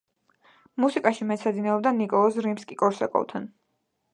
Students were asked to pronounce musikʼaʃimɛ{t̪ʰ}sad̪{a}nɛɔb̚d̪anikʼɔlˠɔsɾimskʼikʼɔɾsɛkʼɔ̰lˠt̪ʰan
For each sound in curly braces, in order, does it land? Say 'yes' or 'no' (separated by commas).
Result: no, no